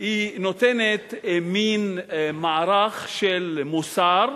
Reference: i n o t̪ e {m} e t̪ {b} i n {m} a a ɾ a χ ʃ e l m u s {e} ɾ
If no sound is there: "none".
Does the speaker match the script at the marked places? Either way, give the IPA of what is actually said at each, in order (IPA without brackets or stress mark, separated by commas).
n, m, m, a